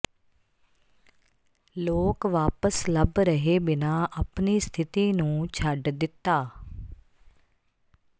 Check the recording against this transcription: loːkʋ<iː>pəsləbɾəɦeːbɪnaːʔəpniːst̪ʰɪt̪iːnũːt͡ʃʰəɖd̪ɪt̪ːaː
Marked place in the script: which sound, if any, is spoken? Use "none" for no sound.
aː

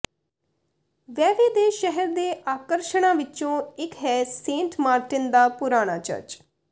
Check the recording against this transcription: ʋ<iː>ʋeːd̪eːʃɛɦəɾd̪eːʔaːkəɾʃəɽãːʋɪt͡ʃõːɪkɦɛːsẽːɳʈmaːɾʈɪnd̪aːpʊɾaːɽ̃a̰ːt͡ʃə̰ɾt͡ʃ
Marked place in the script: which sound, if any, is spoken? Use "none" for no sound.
ɛː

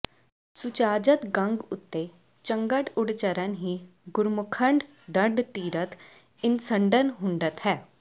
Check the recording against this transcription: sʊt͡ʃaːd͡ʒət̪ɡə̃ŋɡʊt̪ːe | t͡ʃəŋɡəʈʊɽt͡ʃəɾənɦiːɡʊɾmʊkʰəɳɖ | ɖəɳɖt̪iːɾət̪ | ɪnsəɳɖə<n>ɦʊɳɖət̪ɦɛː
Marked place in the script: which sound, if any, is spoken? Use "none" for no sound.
n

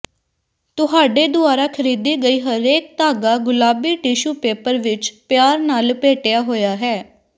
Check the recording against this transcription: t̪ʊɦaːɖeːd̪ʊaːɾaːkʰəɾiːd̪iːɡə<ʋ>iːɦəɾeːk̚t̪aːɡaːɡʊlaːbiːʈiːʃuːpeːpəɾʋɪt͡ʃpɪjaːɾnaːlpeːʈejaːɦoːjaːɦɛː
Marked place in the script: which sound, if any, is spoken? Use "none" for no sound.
none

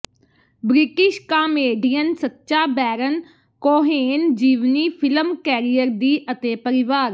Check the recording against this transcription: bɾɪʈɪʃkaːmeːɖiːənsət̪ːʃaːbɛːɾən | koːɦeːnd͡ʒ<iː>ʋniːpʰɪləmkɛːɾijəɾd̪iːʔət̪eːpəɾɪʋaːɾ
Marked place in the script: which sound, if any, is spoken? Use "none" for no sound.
iː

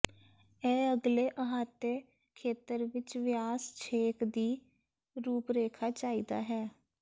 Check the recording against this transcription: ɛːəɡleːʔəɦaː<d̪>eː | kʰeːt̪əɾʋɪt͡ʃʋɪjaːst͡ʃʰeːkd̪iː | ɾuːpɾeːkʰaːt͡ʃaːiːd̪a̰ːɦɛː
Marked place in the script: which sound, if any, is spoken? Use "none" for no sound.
t̪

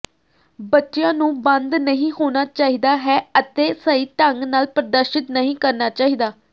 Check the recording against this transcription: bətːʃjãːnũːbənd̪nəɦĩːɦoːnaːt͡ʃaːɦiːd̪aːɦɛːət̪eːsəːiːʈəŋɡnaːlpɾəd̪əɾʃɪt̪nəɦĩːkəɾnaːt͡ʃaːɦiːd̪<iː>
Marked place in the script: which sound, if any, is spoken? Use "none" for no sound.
aː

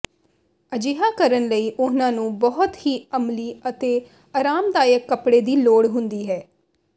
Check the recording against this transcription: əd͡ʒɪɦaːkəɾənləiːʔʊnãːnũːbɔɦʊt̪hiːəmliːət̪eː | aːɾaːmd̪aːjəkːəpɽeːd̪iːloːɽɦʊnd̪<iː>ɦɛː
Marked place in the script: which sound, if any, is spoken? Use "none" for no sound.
iː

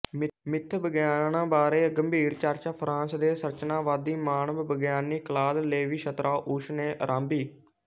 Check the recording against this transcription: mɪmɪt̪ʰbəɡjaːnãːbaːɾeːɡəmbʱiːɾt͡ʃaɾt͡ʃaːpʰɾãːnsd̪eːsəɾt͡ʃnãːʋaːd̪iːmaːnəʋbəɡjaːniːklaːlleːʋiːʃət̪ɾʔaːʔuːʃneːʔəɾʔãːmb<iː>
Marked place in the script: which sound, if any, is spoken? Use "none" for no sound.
iː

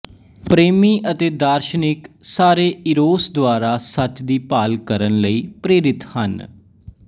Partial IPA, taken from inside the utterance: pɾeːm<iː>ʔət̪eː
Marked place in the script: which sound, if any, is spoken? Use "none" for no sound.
iː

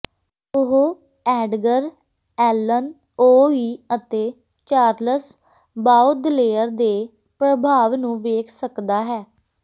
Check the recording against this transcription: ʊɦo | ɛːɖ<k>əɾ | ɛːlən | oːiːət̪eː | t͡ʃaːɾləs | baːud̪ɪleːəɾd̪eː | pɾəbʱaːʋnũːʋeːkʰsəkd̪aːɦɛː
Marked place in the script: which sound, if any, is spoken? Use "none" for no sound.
ɡ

